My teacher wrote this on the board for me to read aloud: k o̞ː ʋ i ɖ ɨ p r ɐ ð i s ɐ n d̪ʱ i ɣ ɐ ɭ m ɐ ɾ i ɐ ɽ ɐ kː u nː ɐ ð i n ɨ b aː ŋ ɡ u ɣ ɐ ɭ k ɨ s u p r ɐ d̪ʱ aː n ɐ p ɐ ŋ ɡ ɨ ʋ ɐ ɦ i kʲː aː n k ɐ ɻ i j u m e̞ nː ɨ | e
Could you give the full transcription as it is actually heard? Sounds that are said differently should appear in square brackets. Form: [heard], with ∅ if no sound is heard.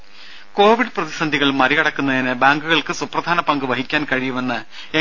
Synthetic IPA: k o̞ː ʋ i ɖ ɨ p r ɐ ð i s ɐ n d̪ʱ i ɣ ɐ ɭ m ɐ ɾ i ɐ ɽ ɐ kː u nː ɐ ð i n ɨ b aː ŋ ɡ u ɣ ɐ ɭ k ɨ s u p r ɐ d̪ʱ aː n ɐ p ɐ ŋ ɡ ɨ ʋ ɐ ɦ i kʲː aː n k ɐ ɻ i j u m e̞ nː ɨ | e